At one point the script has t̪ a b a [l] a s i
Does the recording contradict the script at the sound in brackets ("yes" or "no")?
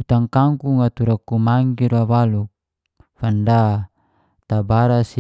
yes